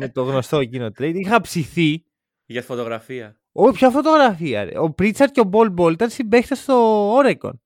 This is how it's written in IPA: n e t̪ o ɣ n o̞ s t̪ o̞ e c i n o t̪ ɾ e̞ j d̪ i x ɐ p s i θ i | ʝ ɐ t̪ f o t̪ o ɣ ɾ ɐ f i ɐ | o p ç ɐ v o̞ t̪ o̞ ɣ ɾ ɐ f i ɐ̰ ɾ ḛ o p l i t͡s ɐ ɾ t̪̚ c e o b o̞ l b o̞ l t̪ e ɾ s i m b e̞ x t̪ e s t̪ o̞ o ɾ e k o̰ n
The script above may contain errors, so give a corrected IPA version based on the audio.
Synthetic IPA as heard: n e t̪ o ɣ n o̞ s t̪ o̞ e c i n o t̪ ɾ e̞ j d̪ i x ɐ p s i θ i | ʝ ɐ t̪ f o t̪ o ɣ ɾ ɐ f i ɐ | o p ç ɐ f o̞ t̪ o̞ ɣ ɾ ɐ f i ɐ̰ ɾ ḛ o p ɾ i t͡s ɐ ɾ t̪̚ c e o b o̞ l b o̞ l t̪ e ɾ s i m b e̞ x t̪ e s t̪ o̞ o ɾ e k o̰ n